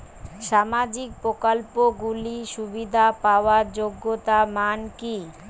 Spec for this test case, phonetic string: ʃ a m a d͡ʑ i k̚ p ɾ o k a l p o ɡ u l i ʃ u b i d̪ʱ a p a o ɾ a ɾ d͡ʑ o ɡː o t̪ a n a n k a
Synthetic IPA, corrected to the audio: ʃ a m a d͡ʑ i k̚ p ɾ o k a l p o ɡ u l i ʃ u b i d̪ʱ a p a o a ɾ d͡ʑ o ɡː o t̪ a m a n k i